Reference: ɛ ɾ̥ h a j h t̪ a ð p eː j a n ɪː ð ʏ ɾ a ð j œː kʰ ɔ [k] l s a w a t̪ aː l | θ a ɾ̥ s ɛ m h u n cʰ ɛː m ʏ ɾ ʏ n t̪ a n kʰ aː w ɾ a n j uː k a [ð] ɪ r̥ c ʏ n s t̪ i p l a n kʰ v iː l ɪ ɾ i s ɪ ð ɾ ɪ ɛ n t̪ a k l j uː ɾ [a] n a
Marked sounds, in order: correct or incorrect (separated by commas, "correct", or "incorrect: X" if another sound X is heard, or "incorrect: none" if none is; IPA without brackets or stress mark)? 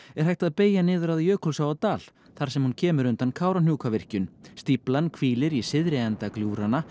incorrect: none, incorrect: v, correct